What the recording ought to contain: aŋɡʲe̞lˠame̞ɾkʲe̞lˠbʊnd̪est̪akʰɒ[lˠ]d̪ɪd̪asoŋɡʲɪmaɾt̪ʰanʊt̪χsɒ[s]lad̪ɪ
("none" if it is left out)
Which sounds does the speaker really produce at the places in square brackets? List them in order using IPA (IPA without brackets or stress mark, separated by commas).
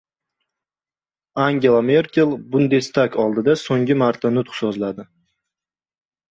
lˠ, z